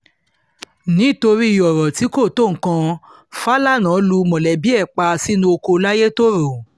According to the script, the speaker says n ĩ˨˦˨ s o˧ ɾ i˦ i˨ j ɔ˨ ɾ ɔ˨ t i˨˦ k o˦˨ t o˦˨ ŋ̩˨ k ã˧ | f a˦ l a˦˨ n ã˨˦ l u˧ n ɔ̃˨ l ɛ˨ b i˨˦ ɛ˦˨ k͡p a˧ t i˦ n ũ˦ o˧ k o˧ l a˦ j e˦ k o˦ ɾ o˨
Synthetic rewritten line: n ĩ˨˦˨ t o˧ ɾ i˦ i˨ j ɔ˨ ɾ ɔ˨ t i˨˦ k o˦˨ t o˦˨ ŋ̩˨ k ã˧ | f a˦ l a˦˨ n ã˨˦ l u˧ m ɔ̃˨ l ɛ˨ b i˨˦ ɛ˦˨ k͡p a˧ s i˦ n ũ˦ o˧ k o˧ l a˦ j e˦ t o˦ ɾ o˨